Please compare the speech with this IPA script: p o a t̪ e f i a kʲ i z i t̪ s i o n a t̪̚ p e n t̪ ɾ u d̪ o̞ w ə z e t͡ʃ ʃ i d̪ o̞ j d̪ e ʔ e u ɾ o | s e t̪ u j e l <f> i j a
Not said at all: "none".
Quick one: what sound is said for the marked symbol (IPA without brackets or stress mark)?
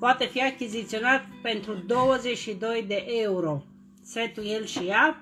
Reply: ʃ